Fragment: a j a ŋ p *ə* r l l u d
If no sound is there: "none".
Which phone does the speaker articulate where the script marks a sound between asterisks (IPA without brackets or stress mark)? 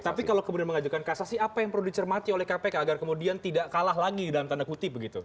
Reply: ə